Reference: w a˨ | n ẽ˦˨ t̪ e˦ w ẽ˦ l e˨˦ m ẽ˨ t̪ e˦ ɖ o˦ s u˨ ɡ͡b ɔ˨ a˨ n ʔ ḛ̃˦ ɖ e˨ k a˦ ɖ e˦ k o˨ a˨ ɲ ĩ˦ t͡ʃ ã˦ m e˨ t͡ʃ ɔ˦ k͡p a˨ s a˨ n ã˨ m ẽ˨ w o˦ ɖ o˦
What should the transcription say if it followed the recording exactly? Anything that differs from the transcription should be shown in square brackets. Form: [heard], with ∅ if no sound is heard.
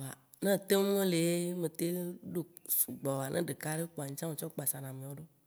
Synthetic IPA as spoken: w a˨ | n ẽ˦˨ t̪ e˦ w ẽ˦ l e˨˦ m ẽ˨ t̪ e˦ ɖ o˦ s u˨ ɡ͡b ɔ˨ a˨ n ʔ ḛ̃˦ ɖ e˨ k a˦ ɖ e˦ [k͡p] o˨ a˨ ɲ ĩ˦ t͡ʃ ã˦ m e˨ t͡ʃ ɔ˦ k͡p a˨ s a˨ n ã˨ m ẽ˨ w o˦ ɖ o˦